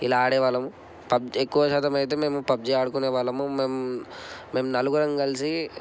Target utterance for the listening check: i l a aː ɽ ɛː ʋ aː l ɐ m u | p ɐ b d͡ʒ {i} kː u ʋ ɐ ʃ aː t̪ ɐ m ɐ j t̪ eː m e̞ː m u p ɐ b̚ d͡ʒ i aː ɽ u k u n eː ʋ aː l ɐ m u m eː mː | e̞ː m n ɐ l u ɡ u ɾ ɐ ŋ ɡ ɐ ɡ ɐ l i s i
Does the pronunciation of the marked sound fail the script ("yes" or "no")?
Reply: yes